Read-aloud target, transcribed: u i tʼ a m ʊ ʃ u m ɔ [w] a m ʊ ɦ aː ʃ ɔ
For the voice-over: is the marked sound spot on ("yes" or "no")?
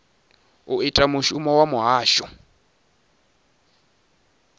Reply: yes